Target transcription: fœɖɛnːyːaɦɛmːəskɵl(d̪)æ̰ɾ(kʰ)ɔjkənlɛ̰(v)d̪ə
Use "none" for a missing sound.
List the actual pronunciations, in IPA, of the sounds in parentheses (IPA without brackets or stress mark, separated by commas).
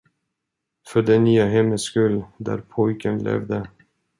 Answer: d̪, pʰ, v